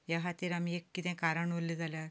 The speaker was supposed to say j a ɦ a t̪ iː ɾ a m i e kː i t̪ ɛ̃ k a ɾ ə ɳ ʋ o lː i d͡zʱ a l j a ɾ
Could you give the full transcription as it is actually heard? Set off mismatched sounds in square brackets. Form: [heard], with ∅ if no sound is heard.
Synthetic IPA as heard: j a ɦ a t̪ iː ɾ a m i e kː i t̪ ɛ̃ k a ɾ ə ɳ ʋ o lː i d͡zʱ a l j a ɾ